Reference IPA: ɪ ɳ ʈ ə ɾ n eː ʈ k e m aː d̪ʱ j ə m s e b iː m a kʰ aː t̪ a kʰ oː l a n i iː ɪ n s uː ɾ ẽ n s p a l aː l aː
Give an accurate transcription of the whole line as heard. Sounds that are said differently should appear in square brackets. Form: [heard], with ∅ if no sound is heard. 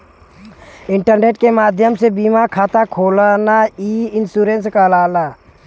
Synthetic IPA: ɪ ɳ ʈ ə ɾ n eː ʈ k e m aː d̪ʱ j ə m s e b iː m a kʰ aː t̪ a kʰ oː l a n [a] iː ɪ n s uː ɾ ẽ n s [k] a l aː l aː